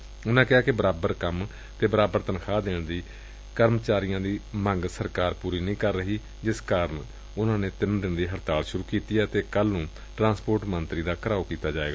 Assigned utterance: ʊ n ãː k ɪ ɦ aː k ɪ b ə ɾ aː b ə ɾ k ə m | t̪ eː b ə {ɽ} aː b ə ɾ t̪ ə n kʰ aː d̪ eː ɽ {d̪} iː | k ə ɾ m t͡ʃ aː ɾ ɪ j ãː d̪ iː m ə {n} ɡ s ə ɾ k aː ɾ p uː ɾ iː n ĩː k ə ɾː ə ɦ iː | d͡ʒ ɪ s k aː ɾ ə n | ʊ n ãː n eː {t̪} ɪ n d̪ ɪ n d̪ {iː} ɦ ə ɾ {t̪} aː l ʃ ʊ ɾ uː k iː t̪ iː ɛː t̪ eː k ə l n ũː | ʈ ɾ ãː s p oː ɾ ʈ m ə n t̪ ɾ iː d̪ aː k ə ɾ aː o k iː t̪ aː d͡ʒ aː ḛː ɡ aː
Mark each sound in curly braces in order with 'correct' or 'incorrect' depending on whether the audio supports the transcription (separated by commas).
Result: incorrect, correct, incorrect, correct, correct, correct